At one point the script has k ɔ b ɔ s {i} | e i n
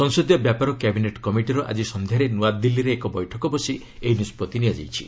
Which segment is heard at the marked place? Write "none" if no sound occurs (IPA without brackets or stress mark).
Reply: i